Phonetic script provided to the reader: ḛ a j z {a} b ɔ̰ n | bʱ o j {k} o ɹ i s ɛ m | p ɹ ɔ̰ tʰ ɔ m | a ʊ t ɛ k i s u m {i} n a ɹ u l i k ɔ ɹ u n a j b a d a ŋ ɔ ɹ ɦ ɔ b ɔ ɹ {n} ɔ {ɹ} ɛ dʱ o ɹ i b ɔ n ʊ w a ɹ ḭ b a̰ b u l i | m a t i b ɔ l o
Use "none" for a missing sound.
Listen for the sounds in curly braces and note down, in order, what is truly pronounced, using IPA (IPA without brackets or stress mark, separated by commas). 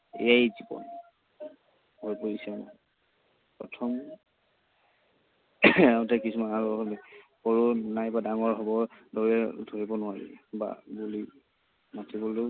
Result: i, p, a, d, ɹ